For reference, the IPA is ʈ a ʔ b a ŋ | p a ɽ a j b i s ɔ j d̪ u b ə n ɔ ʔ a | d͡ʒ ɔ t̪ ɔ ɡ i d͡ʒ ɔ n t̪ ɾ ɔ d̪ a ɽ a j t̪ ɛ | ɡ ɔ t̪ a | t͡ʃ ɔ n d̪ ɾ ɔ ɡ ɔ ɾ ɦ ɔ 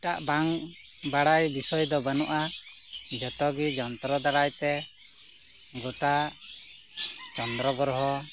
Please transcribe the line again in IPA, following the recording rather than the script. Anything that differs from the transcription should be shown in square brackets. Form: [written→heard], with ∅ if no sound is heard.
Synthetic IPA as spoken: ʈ a ʔ b a ŋ | [p→b] a ɽ a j b i s ɔ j d̪ [u→ɔ] b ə n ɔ ʔ a | d͡ʒ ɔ t̪ ɔ ɡ i d͡ʒ ɔ n t̪ ɾ ɔ d̪ a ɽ a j t̪ ɛ | ɡ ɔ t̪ a | t͡ʃ ɔ n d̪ ɾ ɔ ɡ ɔ ɾ ɦ ɔ